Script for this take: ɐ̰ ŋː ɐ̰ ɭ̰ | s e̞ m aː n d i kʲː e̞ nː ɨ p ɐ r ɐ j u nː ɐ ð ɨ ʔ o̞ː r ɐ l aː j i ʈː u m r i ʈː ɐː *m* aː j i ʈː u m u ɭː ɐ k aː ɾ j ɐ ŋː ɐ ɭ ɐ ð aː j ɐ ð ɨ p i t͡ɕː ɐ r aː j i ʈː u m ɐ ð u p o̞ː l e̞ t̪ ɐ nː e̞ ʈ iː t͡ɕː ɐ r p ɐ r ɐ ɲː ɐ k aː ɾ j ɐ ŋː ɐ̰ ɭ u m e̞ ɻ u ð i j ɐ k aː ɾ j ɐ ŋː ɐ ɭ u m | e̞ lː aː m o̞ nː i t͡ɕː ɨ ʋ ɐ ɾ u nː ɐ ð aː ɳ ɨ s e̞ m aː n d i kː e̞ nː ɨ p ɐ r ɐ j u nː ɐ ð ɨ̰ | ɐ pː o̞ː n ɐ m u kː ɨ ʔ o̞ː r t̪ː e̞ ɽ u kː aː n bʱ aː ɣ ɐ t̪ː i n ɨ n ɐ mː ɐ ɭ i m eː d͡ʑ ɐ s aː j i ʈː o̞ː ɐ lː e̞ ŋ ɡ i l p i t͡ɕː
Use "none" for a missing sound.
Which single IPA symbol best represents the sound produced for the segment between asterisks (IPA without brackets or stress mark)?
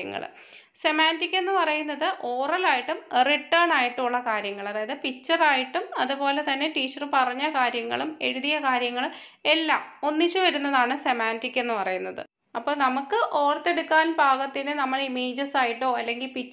ɳ